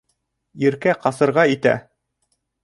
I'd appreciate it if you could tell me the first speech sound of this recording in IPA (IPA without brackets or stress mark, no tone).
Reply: i